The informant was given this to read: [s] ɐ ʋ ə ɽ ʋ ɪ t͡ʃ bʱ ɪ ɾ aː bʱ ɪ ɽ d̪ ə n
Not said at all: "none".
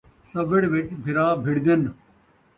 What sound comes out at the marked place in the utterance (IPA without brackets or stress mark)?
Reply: s